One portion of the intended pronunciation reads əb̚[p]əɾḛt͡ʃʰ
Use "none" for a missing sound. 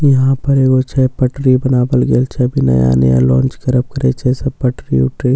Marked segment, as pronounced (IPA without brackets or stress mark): k